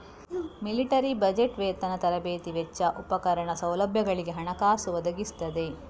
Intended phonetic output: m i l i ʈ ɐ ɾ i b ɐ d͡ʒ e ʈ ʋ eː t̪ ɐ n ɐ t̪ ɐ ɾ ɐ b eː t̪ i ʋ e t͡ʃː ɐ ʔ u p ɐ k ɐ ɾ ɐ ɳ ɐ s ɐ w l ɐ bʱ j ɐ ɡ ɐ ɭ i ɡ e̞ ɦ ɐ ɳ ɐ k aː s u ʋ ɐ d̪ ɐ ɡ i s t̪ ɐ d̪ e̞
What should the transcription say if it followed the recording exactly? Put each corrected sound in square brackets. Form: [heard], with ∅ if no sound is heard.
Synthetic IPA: m i l i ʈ ɐ ɾ i b ɐ d͡ʒ e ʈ ʋ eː t̪ ɐ n ɐ t̪ ɐ ɾ ɐ b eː t̪ i ʋ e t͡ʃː ɐ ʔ u p ɐ k ɐ ɾ ɐ ɳ ɐ s ɐ w l ɐ bʱ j ɐ ɡ ɐ ɭ i ɡ e̞ ɦ ɐ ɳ ɐ k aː s u ʋ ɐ d̪ ɐ ɡ i s t̪ ɐ d̪ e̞